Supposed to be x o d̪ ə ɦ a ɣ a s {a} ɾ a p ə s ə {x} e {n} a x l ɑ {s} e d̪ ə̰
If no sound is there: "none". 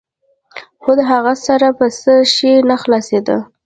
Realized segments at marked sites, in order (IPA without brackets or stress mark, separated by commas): a, ʃ, n, s